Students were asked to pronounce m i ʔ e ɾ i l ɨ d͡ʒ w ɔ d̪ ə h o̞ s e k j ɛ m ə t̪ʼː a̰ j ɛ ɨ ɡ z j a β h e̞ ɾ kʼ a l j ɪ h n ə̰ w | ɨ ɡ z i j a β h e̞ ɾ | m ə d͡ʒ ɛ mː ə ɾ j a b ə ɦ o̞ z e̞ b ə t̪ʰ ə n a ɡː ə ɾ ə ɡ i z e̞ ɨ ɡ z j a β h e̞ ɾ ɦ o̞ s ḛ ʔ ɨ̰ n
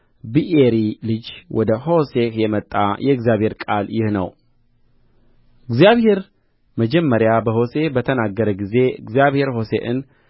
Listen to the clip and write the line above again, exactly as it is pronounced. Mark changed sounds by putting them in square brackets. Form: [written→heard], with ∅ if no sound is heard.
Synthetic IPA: [m→b] i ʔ e ɾ i l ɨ d͡ʒ w ɔ d̪ ə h o̞ s e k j ɛ m ə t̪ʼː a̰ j ɛ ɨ ɡ z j a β h e̞ ɾ kʼ a l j ɪ h n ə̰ w | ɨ ɡ z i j a β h e̞ ɾ | m ə d͡ʒ ɛ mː ə ɾ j a b ə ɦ o̞ [z→s] e̞ b ə t̪ʰ ə n a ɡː ə ɾ ə ɡ i z e̞ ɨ ɡ z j a β h e̞ ɾ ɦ o̞ s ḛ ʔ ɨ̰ n